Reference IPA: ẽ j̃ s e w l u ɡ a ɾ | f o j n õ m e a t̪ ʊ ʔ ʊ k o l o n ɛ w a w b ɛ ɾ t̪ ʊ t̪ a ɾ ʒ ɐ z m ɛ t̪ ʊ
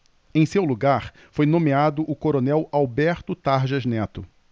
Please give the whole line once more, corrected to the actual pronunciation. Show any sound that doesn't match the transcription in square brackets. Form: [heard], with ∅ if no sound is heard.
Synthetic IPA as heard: ẽ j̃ s e w l u ɡ a ɾ | f o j n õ m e a [d̪] ʊ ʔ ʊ k o [ɾ] o n ɛ w a w b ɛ ɾ t̪ ʊ t̪ a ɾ ʒ ɐ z [n] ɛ t̪ ʊ